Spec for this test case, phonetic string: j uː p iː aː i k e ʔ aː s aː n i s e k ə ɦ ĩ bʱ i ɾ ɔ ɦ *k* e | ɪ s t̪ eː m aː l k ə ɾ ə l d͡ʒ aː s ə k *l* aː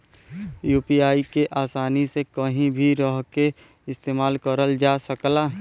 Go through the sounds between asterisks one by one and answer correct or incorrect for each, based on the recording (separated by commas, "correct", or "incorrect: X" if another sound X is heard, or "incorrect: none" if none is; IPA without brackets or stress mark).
correct, correct